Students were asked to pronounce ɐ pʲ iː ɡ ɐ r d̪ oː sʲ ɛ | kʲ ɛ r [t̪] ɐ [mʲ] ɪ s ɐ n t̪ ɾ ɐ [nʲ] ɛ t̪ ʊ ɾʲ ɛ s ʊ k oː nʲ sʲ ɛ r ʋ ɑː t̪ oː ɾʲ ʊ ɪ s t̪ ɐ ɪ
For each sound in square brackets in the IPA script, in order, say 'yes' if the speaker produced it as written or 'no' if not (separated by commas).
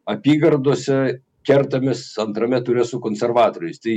yes, yes, no